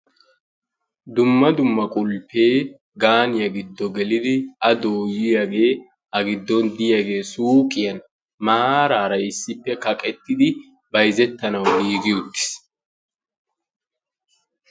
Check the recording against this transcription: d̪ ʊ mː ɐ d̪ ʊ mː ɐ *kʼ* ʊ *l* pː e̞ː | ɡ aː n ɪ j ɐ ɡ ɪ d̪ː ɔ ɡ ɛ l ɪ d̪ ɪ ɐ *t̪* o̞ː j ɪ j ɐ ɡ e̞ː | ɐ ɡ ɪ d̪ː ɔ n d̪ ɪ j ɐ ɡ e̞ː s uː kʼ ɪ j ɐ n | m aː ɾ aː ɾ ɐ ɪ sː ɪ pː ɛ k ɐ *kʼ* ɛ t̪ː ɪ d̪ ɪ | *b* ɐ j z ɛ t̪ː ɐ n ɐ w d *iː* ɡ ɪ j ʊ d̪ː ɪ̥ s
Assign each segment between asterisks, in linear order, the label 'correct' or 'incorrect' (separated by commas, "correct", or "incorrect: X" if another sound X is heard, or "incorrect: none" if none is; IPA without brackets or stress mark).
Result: correct, correct, incorrect: d̪, correct, correct, correct